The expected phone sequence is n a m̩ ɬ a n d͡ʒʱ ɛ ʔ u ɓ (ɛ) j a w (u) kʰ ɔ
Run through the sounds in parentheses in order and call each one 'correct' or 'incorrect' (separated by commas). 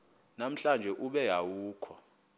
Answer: correct, incorrect